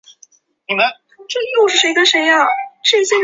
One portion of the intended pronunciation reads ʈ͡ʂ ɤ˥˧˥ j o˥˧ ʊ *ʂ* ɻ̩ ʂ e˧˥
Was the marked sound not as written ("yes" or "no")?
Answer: no